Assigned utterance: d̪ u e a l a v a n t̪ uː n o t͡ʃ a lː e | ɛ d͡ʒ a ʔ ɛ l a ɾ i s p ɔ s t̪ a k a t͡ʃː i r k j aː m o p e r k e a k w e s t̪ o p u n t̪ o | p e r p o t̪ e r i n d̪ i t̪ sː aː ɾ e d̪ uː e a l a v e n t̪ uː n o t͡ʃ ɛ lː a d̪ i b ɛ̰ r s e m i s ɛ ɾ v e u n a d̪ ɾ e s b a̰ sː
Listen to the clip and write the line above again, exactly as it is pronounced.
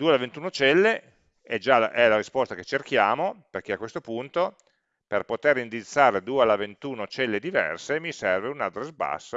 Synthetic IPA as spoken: d̪ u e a l a v e n t̪ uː n o t͡ʃ ɛ lː e | ɛ d͡ʒ a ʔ ɛ l a ɾ i s p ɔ s t̪ a k e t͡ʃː e r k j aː m o p e r k e a k w e s t̪ o p u n t̪ o | p e r p o t̪ e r i n d̪ i t̪ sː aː ɾ e d̪ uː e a l a v e n t̪ uː n o t͡ʃ ɛ lː e d̪ i v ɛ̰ r s e m i s ɛ r v e u n a d̪ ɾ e s b a̰ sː